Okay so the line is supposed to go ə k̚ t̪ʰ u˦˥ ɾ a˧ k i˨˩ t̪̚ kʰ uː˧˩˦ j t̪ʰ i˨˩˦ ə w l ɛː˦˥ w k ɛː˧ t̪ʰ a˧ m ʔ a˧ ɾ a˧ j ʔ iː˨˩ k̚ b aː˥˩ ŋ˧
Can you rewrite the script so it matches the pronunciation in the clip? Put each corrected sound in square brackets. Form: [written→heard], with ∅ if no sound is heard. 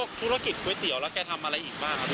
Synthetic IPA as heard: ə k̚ t̪ʰ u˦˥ ɾ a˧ k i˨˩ t̪̚ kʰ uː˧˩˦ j [t̪ʰ→t̪] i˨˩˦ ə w l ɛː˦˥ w k ɛː˧ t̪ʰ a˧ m ʔ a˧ ɾ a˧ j ʔ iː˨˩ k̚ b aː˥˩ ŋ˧